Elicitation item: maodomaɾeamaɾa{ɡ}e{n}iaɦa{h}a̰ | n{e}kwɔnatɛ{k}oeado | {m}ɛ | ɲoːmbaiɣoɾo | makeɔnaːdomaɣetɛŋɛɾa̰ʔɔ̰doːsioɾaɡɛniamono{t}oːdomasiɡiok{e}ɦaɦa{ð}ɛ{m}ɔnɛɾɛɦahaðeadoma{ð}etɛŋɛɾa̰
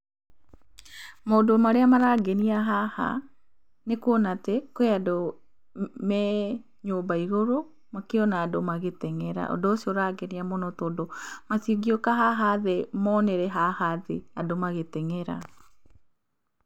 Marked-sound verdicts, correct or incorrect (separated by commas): correct, correct, correct, correct, correct, correct, correct, incorrect, correct, correct, incorrect